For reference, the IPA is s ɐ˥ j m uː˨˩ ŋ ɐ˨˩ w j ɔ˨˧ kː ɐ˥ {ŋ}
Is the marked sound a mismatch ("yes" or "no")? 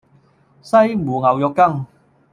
no